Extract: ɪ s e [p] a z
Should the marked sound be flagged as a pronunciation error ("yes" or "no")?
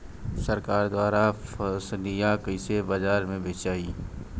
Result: yes